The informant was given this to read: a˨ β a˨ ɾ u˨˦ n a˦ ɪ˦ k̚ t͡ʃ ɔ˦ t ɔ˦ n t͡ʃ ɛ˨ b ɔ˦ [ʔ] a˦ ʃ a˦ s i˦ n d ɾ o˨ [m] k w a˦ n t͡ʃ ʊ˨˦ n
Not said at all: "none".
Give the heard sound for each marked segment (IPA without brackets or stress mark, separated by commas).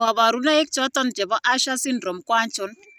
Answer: ʔ, m